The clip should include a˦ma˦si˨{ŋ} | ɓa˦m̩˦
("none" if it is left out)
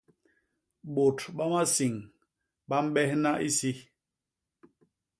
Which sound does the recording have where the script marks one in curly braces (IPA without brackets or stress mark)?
ŋ